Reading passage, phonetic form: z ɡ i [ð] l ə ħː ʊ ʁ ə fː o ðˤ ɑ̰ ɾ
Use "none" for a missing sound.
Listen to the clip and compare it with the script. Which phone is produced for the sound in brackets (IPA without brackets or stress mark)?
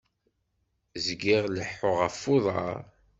ʁ